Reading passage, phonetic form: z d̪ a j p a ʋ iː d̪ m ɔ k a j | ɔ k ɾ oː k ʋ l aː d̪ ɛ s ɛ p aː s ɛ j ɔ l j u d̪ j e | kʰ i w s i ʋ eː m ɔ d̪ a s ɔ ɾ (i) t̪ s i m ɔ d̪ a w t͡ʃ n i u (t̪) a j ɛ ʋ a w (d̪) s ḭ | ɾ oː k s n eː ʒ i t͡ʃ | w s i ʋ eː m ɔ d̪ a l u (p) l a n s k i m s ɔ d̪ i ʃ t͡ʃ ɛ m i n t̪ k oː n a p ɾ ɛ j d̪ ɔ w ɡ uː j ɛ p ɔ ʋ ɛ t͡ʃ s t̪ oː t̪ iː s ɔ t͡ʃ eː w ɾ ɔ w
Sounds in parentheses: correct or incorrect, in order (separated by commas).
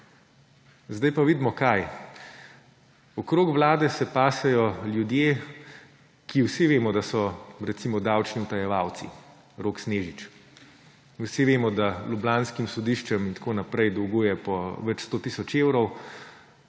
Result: incorrect, correct, incorrect, incorrect